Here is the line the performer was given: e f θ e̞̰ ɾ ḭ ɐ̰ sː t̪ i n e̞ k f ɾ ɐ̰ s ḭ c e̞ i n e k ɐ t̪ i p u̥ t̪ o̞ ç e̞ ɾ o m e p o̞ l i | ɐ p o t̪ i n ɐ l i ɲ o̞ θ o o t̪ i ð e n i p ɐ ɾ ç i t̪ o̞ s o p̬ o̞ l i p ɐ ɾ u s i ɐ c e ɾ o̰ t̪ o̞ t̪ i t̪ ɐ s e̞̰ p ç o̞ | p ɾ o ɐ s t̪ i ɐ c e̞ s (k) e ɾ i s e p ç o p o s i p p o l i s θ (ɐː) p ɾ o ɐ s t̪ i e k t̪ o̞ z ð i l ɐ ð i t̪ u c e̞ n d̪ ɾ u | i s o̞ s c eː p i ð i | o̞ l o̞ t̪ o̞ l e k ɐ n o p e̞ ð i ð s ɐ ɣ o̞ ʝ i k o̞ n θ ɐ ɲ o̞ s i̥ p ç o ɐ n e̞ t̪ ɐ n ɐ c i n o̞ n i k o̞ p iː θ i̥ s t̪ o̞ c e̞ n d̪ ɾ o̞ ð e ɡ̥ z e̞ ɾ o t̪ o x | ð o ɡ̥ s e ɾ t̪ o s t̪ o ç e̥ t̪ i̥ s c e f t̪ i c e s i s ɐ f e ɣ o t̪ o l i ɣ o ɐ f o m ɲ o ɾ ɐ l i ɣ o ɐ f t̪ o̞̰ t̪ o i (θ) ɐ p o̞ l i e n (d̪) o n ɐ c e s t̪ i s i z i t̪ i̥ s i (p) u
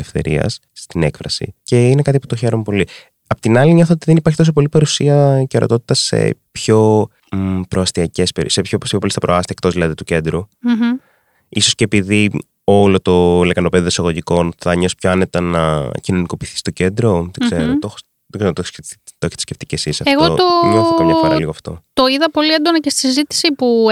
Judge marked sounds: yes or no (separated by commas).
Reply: no, no, no, yes, yes